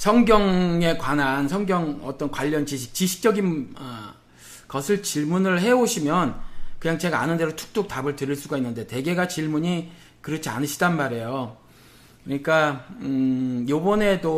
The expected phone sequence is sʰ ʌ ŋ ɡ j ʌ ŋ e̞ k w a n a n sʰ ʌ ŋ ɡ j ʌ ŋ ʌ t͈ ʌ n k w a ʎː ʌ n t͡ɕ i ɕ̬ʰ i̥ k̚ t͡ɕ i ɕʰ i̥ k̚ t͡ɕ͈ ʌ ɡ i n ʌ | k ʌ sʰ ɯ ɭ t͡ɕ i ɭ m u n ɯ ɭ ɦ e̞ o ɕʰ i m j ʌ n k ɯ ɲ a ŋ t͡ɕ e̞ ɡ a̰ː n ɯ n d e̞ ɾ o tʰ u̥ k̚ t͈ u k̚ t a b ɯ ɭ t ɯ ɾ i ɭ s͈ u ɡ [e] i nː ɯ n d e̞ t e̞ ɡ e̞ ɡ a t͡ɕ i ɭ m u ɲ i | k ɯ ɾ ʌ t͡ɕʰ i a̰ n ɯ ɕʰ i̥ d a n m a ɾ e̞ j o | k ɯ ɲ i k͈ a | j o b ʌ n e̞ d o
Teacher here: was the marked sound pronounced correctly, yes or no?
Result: no